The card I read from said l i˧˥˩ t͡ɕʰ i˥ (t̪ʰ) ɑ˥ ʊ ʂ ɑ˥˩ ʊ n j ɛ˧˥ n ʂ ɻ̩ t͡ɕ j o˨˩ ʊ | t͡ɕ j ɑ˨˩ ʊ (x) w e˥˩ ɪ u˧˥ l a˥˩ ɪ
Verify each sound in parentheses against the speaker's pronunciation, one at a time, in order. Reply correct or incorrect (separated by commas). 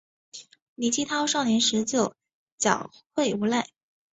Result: correct, correct